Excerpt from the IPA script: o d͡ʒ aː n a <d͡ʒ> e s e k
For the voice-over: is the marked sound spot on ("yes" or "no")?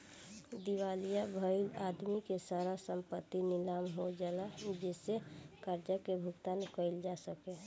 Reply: yes